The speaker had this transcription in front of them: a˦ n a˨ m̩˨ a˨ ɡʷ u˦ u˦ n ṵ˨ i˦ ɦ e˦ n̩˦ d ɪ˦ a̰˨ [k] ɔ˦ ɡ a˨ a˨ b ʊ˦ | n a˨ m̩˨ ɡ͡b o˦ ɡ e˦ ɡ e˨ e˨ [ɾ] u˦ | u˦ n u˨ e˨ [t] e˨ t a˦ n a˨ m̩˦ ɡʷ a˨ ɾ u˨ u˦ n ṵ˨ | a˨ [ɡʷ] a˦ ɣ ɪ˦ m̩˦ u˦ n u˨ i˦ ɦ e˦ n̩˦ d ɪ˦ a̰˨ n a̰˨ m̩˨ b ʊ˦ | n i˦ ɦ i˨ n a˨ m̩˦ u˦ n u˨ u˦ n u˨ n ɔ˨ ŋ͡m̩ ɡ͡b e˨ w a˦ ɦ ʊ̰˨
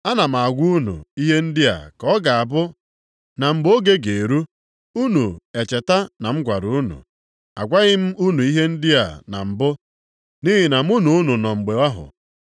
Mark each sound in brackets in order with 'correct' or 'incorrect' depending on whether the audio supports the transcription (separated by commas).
correct, correct, incorrect, correct